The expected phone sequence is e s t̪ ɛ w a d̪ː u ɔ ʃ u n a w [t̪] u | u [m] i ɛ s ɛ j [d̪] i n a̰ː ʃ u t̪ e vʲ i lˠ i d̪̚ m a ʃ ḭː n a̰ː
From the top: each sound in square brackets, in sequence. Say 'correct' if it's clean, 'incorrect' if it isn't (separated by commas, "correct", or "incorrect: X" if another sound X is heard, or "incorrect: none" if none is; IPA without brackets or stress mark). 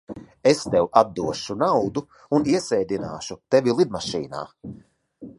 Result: incorrect: d̪, incorrect: n, correct